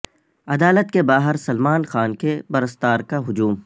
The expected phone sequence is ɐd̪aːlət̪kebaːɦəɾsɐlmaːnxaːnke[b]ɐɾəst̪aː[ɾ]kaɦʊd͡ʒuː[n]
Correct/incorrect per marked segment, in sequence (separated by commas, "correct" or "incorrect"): correct, correct, incorrect